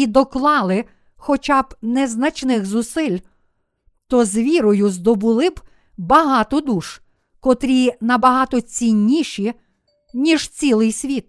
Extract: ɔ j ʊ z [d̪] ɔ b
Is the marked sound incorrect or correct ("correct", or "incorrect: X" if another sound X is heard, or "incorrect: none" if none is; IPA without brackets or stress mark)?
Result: correct